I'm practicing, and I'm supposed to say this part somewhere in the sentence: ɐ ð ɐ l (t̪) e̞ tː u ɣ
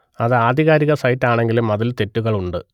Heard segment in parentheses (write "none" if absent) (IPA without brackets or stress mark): t̪